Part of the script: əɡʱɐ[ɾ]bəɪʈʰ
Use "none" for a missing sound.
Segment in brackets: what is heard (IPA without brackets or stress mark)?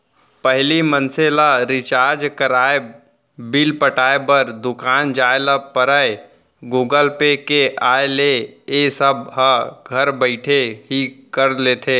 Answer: ɾ